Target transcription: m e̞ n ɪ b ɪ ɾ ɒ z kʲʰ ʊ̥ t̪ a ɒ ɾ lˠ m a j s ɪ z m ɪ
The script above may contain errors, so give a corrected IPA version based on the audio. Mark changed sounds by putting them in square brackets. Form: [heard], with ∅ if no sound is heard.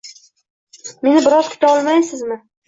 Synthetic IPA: m e̞ n ɪ b ɪ ɾ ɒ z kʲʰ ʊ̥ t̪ a ɒ [∅] lˠ m a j s ɪ z m ɪ